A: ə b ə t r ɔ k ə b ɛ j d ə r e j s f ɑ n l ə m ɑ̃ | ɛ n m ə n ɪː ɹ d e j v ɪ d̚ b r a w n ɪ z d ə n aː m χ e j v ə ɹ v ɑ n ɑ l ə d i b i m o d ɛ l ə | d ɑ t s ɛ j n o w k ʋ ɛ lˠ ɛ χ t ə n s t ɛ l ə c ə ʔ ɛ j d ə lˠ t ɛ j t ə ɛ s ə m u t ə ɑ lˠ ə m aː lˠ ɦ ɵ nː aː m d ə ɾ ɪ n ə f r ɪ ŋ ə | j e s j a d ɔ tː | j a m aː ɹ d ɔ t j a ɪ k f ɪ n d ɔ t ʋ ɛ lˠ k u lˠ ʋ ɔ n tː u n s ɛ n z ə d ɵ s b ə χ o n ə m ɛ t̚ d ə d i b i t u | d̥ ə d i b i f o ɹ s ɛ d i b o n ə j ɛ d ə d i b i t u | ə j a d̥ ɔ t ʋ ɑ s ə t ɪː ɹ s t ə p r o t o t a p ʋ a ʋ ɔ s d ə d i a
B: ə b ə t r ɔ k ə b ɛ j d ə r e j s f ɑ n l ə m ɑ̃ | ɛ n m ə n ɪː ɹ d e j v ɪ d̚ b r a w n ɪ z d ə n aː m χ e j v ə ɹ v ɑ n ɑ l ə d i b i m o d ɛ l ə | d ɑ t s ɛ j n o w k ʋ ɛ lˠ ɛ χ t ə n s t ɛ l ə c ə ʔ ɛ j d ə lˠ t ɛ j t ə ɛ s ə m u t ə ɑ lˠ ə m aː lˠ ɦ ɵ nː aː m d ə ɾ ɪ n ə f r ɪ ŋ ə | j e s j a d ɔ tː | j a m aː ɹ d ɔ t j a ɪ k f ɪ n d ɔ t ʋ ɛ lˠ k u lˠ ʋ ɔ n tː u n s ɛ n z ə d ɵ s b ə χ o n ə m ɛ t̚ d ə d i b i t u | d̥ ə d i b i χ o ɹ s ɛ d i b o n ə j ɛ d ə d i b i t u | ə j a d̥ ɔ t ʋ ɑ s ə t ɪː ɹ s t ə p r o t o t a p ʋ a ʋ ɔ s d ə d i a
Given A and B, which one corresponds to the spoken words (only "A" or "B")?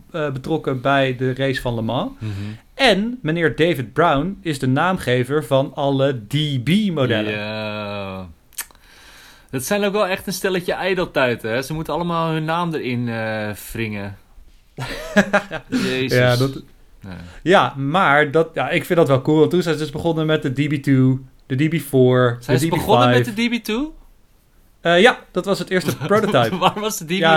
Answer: A